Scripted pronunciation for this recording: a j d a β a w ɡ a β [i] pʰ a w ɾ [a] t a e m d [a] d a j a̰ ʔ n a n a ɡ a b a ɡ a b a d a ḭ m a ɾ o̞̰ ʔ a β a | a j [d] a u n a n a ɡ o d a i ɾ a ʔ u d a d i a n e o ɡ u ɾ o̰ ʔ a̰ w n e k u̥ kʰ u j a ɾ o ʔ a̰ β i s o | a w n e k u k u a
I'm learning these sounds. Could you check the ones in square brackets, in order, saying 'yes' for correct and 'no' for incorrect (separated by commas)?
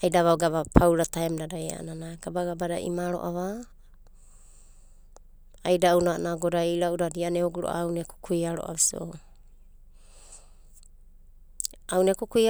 no, yes, yes, yes